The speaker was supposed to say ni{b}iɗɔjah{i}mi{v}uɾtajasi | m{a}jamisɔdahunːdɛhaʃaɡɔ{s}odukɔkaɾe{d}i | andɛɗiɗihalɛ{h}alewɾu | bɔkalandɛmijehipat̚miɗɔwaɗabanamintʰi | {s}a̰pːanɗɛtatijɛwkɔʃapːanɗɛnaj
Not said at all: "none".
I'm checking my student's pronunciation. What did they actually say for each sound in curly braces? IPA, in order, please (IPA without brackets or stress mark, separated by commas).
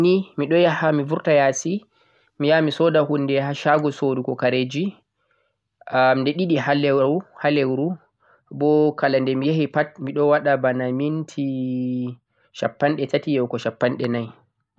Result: m, a, v, i, s, d͡ʒ, h, ʃ